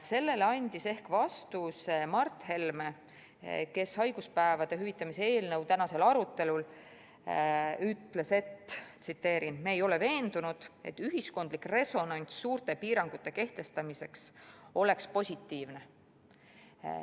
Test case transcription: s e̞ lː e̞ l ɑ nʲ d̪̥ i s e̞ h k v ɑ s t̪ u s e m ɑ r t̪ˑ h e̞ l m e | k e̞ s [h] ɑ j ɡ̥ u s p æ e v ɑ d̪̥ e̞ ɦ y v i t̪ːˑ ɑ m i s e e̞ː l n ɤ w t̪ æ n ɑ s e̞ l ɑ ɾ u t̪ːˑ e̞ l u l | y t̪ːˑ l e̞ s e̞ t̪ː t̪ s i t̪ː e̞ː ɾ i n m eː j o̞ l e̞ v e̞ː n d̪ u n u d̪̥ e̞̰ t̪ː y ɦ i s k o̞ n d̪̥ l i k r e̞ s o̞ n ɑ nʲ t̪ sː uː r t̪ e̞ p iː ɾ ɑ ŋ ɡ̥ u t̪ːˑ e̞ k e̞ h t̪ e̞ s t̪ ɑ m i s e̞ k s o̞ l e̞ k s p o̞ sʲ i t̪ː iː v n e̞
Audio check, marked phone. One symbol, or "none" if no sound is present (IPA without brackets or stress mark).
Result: h